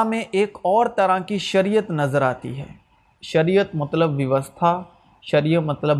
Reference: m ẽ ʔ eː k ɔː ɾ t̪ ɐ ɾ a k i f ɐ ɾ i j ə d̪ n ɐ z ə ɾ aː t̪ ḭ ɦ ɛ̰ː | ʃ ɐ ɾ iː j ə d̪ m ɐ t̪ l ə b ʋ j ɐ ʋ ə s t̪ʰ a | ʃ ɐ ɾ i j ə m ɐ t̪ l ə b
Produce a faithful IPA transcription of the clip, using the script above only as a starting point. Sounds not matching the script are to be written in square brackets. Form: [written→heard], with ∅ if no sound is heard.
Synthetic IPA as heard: m ẽ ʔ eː k ɔː ɾ t̪ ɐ ɾ a k i [f→ʃ] ɐ ɾ i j ə [d̪→t̪] n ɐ z ə ɾ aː t̪ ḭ ɦ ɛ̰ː | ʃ ɐ ɾ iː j ə [d̪→t̪] m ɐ t̪ l ə b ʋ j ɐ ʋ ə s t̪ʰ a | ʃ ɐ ɾ i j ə m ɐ t̪ l ə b